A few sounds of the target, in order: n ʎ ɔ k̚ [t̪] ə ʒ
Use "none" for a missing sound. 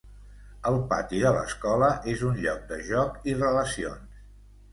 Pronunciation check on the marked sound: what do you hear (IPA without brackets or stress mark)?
d̪